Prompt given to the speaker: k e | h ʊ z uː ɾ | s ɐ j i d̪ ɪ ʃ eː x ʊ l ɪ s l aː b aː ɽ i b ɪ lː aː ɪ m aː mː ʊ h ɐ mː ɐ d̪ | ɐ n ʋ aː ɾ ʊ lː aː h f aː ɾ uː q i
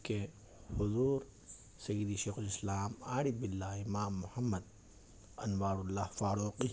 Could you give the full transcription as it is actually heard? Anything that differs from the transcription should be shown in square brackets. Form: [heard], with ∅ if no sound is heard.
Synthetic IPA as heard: k e | h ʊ z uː ɾ | s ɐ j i d̪ [i] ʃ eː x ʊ l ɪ s l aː [m] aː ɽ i b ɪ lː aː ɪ m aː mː ʊ h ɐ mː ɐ d̪ | ɐ n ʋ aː ɾ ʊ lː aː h f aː ɾ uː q i

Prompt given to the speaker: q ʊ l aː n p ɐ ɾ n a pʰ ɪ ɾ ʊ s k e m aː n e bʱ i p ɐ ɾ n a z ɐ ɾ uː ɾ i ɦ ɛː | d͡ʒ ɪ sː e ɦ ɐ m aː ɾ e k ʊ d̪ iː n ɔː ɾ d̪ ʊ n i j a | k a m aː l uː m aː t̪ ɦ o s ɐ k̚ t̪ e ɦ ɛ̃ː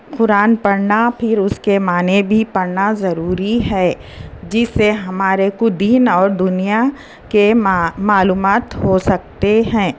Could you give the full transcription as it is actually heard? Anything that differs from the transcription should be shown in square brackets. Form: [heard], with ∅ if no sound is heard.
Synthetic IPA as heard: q ʊ [ɾ] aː n p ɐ ɾ n a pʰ ɪ ɾ ʊ s k e m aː n e bʱ i p ɐ ɾ n a z ɐ ɾ uː ɾ i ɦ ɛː | d͡ʒ ɪ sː e ɦ ɐ m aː ɾ e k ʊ d̪ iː n ɔː ɾ d̪ ʊ n i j a | k [e] m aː l uː m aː t̪ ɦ o s ɐ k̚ t̪ e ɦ ɛ̃ː

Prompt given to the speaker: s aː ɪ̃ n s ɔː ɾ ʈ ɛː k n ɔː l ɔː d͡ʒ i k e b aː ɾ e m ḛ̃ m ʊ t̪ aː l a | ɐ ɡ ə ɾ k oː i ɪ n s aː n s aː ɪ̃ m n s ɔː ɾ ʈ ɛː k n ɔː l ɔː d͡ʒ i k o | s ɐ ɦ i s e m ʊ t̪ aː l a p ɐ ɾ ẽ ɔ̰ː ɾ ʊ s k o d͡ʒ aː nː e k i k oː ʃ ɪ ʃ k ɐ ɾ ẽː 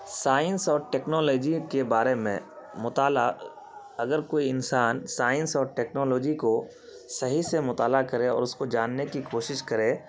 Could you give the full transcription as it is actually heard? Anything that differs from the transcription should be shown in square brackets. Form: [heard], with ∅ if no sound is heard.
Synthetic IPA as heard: s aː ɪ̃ n s ɔː ɾ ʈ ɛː k n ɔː l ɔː d͡ʒ i k e b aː ɾ e m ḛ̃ m ʊ t̪ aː l a | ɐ ɡ ə ɾ k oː i ɪ n s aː n s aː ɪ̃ [∅] n s ɔː ɾ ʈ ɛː k n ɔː l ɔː d͡ʒ i k o | s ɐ ɦ i s e m ʊ t̪ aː l a [k] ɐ ɾ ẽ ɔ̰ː ɾ ʊ s k o d͡ʒ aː nː e k i k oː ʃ ɪ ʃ k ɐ ɾ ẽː

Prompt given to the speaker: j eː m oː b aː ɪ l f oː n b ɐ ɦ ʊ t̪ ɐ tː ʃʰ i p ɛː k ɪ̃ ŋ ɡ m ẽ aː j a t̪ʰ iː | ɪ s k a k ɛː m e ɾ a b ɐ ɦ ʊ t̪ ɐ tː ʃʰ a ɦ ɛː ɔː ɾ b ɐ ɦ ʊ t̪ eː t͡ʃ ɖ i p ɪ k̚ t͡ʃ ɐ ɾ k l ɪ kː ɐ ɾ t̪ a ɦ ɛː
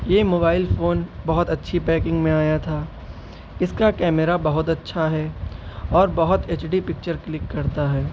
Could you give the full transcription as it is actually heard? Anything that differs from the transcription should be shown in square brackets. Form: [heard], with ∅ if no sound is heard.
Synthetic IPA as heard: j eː m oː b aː ɪ l f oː n b ɐ ɦ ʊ t̪ ɐ tː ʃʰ i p ɛː k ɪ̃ ŋ ɡ m ẽ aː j a t̪ʰ [aː] | ɪ s k a k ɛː m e ɾ a b ɐ ɦ ʊ t̪ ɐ tː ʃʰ a ɦ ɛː ɔː ɾ b ɐ ɦ ʊ t̪ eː t͡ʃ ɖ i p ɪ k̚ t͡ʃ [ə] ɾ k l ɪ kː ɐ ɾ t̪ a ɦ ɛː

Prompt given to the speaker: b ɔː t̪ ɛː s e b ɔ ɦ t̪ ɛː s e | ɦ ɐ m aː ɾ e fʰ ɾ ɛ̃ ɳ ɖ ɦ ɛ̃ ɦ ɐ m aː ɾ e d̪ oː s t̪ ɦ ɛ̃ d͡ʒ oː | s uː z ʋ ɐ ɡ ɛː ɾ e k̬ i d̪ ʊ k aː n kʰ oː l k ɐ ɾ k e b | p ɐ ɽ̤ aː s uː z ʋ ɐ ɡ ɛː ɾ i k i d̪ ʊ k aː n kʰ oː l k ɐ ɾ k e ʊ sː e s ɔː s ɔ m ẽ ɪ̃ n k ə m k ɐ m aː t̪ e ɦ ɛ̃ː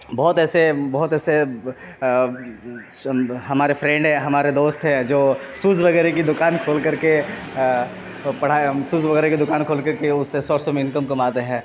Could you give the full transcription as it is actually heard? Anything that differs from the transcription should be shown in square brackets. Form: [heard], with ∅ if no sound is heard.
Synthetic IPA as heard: b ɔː t̪ ɛː s e b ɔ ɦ t̪ ɛː s e | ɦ ɐ m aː ɾ e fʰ ɾ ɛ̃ ɳ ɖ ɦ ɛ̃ ɦ ɐ m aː ɾ e d̪ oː s t̪ ɦ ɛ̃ d͡ʒ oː | s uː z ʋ ɐ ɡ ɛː ɾ e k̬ i d̪ ʊ k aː n kʰ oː l k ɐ ɾ k e [∅] | p ɐ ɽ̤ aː s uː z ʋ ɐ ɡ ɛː ɾ [e] k i d̪ ʊ k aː n kʰ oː l k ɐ ɾ k e ʊ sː e s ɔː s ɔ m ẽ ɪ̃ n k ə m k ɐ m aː t̪ e ɦ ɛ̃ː

